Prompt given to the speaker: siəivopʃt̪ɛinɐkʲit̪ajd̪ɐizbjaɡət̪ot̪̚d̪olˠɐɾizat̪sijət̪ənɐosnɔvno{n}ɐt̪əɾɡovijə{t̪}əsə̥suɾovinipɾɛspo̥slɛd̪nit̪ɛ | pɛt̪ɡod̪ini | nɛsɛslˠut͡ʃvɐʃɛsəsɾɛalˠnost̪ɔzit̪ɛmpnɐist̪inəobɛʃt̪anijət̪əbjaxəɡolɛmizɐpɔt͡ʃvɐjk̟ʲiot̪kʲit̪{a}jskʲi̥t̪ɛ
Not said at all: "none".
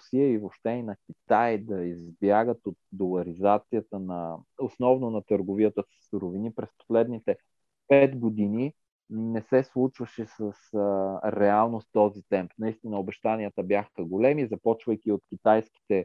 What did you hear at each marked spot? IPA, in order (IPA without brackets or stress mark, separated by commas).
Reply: n, t̪, a